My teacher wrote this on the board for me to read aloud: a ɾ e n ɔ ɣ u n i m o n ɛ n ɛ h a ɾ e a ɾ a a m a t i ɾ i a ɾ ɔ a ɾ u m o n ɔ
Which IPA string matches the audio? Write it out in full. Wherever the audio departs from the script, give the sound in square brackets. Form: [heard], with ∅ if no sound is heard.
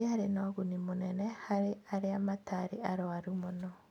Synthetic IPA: a ɾ e n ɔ ɣ u n i m o n ɛ n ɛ h a ɾ e a ɾ [e] a m a t [a] ɾ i a ɾ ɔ a ɾ u m o n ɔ